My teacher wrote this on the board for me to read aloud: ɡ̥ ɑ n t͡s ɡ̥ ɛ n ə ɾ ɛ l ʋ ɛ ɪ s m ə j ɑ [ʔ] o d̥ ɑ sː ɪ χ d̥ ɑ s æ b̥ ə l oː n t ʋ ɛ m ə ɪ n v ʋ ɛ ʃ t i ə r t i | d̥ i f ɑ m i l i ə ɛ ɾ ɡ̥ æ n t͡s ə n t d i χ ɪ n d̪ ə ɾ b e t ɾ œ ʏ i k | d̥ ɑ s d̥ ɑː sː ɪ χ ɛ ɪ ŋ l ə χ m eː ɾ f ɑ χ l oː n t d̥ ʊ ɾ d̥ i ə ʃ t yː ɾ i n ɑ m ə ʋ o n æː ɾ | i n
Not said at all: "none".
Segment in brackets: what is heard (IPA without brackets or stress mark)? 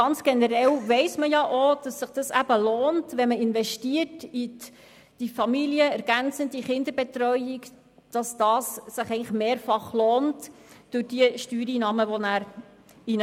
ʔ